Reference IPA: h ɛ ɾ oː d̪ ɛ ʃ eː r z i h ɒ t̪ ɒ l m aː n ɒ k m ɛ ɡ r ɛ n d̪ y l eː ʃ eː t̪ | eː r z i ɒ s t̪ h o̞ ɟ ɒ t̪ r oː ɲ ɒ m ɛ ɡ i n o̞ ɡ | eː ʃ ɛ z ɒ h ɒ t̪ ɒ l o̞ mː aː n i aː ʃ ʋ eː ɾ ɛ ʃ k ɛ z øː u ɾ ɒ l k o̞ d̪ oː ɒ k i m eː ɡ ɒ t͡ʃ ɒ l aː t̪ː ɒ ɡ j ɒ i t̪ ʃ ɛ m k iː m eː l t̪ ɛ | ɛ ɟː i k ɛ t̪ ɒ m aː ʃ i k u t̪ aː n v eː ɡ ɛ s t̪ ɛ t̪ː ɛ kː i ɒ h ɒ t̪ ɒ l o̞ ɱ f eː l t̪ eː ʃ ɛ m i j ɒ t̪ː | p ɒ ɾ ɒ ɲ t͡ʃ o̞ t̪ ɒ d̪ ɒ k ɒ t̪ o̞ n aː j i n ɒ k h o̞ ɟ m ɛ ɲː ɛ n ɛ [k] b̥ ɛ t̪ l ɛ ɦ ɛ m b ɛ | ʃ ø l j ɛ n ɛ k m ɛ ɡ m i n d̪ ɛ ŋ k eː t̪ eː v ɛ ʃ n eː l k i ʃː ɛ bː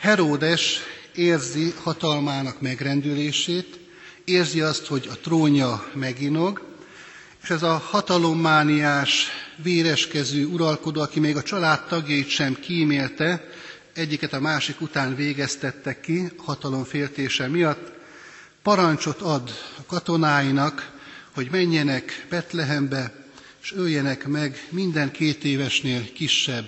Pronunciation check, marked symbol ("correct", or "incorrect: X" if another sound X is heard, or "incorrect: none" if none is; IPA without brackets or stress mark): correct